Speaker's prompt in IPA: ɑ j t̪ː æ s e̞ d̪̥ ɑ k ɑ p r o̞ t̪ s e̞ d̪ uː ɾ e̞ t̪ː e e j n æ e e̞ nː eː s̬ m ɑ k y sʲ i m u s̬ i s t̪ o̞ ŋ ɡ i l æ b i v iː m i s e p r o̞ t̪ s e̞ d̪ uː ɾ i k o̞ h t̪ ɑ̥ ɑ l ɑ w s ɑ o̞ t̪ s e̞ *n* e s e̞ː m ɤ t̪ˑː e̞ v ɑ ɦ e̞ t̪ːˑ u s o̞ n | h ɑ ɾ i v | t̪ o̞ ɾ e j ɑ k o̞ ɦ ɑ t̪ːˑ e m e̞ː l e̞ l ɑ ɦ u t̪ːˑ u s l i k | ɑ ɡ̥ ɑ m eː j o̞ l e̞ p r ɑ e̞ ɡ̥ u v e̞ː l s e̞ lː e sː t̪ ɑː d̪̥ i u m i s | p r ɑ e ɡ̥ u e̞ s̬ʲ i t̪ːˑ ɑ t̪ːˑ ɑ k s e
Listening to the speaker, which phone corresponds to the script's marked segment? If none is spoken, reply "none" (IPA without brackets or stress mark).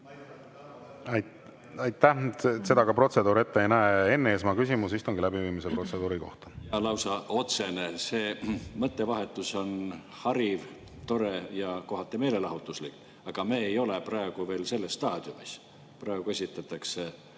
n